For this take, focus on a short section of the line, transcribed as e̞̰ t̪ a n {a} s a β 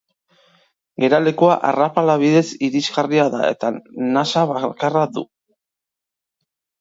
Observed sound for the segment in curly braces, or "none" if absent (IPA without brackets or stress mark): a